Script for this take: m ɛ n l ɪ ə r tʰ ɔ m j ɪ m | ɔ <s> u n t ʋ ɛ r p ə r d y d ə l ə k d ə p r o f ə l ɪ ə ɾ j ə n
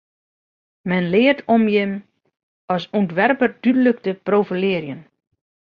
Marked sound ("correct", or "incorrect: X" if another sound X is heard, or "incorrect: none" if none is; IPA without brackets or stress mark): correct